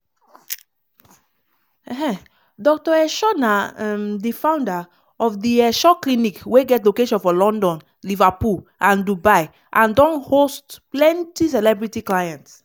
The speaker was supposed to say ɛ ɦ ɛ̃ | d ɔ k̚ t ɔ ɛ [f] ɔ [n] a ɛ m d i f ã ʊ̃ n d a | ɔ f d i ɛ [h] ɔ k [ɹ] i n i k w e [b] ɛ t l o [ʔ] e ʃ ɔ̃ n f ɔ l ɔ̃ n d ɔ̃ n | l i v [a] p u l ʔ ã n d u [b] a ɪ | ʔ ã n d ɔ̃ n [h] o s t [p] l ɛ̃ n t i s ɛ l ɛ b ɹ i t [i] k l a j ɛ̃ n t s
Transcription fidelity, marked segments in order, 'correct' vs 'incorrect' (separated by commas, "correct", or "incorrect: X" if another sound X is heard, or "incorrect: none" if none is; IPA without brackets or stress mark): incorrect: ʃ, correct, incorrect: ʃ, incorrect: l, incorrect: ɡ, incorrect: k, correct, correct, correct, correct, correct